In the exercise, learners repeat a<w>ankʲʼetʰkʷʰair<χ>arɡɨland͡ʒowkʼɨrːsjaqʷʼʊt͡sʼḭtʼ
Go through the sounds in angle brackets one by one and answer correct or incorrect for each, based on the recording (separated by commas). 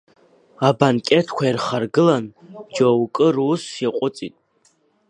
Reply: incorrect, correct